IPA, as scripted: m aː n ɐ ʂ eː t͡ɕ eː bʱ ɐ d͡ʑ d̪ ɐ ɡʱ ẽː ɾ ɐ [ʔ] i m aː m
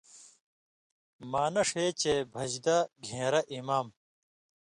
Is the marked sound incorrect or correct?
correct